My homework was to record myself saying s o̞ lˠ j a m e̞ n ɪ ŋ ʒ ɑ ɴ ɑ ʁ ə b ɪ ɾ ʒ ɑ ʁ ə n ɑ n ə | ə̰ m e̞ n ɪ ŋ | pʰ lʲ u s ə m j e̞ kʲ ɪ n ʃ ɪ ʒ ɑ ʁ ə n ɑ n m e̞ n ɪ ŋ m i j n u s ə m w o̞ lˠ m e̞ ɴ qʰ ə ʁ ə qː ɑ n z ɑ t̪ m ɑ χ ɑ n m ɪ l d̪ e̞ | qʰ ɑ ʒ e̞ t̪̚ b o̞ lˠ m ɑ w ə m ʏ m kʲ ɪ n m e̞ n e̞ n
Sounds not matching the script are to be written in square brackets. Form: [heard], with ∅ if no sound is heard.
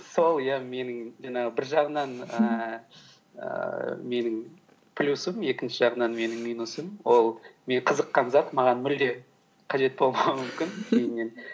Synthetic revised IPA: s o̞ lˠ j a m e̞ n ɪ ŋ ʒ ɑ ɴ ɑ ʁ ə b ɪ ɾ ʒ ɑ ʁ ə n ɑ n ə | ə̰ m e̞ n ɪ ŋ | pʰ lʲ u s ə m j e̞ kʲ ɪ n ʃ ɪ ʒ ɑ ʁ ə n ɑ n m e̞ n ɪ ŋ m i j n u s ə m w o̞ lˠ m e̞ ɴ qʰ ə [z] ə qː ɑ n z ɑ t̪ m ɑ [ʁ] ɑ n m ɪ l d̪ e̞ | qʰ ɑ ʒ e̞ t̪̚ b o̞ lˠ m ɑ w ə m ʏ m kʲ ɪ n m e̞ n e̞ n